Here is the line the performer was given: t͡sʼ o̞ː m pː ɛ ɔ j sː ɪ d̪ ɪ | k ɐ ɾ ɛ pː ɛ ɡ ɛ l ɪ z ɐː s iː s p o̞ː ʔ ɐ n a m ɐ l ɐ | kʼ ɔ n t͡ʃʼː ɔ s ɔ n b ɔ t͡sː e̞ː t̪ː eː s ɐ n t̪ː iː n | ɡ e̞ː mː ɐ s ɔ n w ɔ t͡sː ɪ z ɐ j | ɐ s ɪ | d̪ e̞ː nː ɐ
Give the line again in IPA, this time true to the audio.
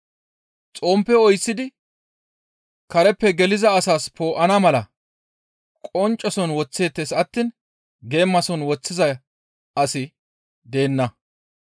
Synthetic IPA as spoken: t͡sʼ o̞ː m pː ɛ ɔ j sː ɪ d̪ ɪ | k ɐ ɾ ɛ pː ɛ ɡ ɛ l ɪ z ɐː s aː s p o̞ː ʔ ɐ n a m ɐ l ɐ | kʼ ɔ n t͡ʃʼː ɔ s ɔ n w ɔ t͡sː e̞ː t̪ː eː s ɐ t̪ː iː n | ɡ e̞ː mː ɐ s ɔ n w ɔ t͡sː ɪ z ɐ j | ɐ s ɪ | d̪ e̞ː nː ɐ